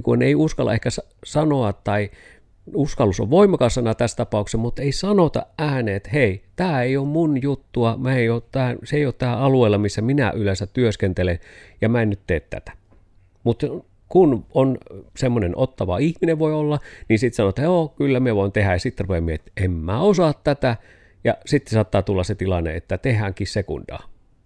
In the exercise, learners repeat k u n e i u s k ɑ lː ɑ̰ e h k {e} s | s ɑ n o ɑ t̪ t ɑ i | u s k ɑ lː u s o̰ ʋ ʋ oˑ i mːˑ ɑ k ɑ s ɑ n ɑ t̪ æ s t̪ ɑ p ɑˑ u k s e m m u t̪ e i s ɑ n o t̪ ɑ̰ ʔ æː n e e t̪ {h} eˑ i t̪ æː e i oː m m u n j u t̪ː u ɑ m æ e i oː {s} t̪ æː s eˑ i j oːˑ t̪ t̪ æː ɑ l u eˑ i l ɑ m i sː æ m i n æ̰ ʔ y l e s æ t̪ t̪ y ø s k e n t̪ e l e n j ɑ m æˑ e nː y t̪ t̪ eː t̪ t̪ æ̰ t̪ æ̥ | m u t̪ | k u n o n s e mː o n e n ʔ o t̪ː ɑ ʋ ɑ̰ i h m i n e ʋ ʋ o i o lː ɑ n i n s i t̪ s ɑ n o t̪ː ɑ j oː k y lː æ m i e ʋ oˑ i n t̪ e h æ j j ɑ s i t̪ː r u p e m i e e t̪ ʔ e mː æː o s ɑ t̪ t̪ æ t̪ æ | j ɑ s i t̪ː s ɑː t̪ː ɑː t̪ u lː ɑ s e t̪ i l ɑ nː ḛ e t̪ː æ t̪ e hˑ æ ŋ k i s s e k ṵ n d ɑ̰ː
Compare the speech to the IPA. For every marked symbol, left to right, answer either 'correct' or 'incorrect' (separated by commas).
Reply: incorrect, correct, incorrect